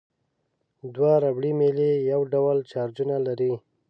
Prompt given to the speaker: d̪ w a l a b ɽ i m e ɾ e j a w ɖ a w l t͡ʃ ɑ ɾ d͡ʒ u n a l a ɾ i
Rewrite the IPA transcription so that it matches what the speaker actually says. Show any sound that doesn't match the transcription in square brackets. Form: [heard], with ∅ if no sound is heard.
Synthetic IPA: d̪ w a [ɾ] a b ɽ i m e [l] e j a w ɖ a w l t͡ʃ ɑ ɾ d͡ʒ u n a l a ɾ i

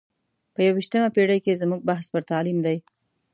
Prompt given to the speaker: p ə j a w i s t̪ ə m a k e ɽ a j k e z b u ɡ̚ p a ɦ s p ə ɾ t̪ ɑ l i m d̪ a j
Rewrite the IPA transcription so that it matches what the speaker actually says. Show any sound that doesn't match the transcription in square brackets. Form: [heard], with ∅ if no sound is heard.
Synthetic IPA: p ə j a w i [ʃ] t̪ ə m a [p] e ɽ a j k e z [m] u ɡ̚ [b] a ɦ s p ə ɾ t̪ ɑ l i m d̪ a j

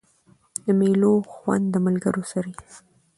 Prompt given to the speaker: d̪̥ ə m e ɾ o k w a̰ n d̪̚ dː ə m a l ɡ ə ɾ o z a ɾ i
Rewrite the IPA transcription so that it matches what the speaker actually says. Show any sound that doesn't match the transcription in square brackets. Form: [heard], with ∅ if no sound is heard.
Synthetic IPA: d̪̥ ə m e [l] o [x] w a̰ n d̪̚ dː ə m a l ɡ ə ɾ o [s] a ɾ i

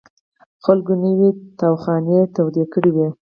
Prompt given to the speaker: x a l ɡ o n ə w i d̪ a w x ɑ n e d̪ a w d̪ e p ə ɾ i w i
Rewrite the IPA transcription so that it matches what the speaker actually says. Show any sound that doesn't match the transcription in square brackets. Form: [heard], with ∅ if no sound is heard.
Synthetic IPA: x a l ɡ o n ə w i [t̪] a w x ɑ n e [t̪] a w d̪ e [k] ə [ɽ] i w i

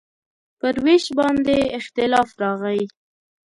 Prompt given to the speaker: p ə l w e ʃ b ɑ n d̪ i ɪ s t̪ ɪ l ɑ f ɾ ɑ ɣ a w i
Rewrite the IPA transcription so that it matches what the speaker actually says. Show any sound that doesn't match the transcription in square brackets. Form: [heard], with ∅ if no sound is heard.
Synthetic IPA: p ə [ɾ] w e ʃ b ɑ n d̪ [e] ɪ [x] t̪ ɪ l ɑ f ɾ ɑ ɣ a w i

